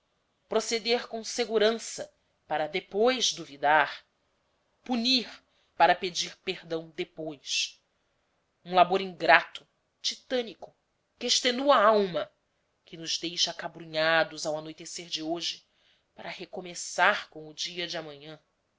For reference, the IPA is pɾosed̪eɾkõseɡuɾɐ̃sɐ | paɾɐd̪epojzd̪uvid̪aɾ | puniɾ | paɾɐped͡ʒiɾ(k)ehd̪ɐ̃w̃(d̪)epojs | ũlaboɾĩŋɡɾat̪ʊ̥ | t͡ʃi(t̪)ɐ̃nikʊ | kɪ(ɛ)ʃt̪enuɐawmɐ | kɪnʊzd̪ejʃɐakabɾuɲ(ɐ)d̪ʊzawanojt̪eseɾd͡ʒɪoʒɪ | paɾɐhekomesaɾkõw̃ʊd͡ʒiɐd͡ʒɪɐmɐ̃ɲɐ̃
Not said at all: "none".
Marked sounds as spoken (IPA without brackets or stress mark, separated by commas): p, d̪, t̪, e, a